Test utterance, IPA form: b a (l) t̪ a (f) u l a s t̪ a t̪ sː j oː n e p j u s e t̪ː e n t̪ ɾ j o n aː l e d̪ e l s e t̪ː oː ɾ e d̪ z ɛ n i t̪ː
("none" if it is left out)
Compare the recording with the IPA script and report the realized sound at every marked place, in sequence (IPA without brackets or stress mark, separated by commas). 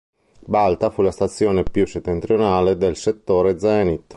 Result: l, f